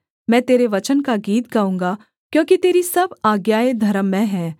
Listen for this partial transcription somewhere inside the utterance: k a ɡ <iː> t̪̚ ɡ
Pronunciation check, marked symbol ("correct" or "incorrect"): correct